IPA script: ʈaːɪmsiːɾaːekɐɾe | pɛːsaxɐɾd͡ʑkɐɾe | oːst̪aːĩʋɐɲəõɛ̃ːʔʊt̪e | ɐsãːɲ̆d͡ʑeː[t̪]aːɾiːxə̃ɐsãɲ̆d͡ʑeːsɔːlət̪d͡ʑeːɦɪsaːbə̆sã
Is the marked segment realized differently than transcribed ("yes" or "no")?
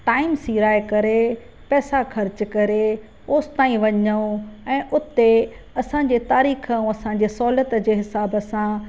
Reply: no